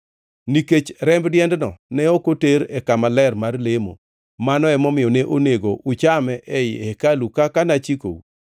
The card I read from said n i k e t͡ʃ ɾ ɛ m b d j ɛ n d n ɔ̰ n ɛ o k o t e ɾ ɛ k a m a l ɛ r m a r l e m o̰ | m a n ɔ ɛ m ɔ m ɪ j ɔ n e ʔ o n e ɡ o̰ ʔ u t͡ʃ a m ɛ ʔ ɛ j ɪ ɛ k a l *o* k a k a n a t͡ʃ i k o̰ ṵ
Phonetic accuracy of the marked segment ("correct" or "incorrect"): incorrect